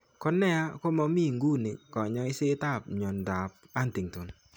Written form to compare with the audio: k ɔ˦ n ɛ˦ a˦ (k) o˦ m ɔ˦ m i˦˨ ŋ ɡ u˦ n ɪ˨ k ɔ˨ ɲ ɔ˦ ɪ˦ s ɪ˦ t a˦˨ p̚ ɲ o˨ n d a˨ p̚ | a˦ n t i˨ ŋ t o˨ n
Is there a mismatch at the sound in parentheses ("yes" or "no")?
no